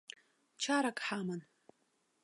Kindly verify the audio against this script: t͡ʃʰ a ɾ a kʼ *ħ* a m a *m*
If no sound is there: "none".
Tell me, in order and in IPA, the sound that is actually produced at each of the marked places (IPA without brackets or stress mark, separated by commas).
ħ, n